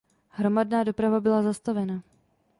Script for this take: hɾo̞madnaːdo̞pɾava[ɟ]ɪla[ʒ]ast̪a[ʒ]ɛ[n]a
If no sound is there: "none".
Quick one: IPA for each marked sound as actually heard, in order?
b, z, v, n

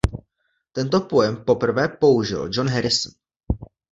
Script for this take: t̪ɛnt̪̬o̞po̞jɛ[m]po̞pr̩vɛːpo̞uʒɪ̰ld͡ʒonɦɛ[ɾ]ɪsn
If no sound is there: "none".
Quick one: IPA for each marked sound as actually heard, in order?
m, ɾ

